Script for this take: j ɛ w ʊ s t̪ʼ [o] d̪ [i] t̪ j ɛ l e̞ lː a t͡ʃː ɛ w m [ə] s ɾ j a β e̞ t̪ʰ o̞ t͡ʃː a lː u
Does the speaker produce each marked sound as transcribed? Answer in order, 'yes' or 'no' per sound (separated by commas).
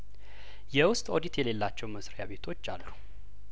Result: yes, yes, yes